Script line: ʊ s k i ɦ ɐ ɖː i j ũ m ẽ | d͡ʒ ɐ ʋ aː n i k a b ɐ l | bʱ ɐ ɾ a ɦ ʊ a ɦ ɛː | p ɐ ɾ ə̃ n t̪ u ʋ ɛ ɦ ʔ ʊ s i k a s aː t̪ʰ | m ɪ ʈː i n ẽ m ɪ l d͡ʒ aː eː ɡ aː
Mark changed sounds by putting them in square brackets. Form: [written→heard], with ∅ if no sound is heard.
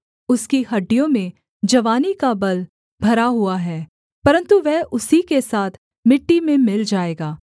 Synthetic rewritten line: ʊ s k i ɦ ɐ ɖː i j [ũ→õ] m ẽ | d͡ʒ ɐ ʋ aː n i k a b ɐ l | bʱ ɐ ɾ a ɦ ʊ a ɦ ɛː | p ɐ ɾ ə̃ n t̪ u ʋ ɛ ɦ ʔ ʊ s i k [a→e] s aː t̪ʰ | m ɪ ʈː i [n→m] ẽ m ɪ l d͡ʒ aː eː ɡ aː